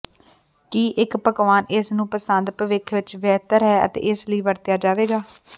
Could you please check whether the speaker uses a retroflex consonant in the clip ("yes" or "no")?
no